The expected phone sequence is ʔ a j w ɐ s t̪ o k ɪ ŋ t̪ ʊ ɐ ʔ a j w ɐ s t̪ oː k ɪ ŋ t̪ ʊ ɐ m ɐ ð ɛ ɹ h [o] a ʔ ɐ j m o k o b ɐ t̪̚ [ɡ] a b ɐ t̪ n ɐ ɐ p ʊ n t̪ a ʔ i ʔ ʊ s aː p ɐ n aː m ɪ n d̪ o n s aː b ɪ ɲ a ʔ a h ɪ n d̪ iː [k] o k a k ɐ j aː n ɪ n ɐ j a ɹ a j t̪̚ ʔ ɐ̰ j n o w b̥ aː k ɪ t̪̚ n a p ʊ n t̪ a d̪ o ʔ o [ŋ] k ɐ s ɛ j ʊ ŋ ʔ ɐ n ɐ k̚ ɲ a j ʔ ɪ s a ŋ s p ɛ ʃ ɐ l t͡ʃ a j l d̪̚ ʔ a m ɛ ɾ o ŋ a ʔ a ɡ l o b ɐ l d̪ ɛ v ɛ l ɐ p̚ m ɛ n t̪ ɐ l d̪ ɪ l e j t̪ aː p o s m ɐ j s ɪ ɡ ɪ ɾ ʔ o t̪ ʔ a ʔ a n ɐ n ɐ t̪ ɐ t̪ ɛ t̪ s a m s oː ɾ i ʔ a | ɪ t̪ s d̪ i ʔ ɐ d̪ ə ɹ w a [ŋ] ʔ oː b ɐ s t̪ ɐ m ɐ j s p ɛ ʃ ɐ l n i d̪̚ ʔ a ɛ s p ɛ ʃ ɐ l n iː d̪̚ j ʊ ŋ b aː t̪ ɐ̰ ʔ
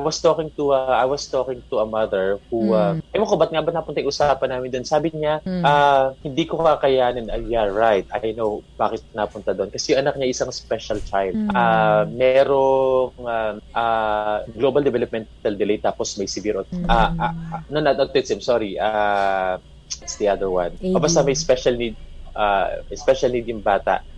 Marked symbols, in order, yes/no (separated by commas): no, no, yes, no, no